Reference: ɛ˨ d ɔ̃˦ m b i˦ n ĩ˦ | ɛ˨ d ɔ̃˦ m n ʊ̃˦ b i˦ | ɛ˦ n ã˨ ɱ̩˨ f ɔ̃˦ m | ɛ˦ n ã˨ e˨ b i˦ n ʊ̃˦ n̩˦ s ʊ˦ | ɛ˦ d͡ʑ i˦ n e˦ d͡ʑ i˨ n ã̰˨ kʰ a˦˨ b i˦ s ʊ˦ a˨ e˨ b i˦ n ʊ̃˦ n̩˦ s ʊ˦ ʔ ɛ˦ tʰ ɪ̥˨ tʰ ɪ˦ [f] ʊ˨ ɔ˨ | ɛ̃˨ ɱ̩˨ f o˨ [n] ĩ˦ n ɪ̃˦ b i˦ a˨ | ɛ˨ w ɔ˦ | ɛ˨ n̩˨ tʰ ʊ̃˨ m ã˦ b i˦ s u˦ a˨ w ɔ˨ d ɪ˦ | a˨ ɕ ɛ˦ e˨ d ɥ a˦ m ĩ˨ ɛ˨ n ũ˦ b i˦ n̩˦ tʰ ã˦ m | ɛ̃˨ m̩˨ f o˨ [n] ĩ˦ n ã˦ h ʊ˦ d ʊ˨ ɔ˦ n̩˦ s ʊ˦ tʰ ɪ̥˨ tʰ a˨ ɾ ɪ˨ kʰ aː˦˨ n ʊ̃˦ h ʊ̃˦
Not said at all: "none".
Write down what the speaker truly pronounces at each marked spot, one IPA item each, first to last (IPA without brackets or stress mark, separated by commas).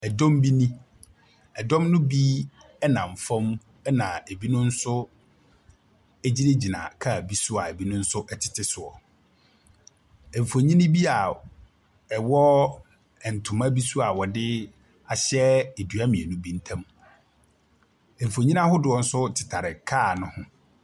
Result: s, ɲ, ɲ